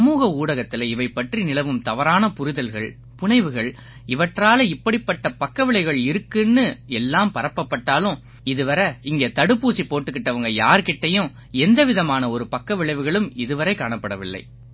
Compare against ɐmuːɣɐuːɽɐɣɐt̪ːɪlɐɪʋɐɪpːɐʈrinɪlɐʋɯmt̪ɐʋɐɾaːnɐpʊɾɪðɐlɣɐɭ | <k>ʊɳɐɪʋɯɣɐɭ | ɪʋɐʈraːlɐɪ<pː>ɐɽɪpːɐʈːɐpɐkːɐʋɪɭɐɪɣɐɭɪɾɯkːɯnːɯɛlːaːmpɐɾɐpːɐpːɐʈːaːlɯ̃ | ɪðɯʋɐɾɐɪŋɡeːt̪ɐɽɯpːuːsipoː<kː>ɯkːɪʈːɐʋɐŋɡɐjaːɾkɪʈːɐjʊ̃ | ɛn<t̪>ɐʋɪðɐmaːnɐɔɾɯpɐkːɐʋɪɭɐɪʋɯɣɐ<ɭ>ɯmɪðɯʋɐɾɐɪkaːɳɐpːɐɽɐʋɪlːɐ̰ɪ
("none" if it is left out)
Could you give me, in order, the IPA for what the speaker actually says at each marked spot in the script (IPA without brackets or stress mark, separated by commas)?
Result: p, pː, ʈː, d̪, ɭ